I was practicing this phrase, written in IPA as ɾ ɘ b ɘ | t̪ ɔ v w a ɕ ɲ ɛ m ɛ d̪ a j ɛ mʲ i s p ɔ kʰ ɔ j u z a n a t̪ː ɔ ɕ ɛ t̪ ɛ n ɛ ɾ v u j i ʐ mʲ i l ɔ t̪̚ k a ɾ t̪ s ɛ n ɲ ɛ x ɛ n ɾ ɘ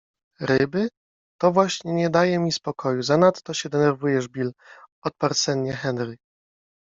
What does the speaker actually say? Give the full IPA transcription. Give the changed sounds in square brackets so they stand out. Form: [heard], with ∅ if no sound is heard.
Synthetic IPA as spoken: ɾ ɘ b ɘ | t̪ ɔ v w a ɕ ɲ ɛ [ɲ] ɛ d̪ a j ɛ mʲ i s p ɔ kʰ ɔ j u z a n a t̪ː ɔ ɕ ɛ [d̪] ɛ n ɛ ɾ v u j [ɛ] ʐ [bʲ] i l ɔ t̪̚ [p] a ɾ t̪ s ɛ n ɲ ɛ x ɛ n ɾ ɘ